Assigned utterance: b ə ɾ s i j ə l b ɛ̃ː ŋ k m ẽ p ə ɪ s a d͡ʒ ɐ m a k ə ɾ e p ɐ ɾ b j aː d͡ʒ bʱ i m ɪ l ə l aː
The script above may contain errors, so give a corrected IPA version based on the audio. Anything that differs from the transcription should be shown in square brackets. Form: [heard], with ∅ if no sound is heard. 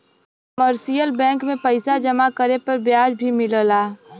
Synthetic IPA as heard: [m] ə ɾ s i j ə l b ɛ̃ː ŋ k m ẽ p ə ɪ s a d͡ʒ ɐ m a k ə ɾ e p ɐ ɾ b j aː d͡ʒ bʱ i m ɪ l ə l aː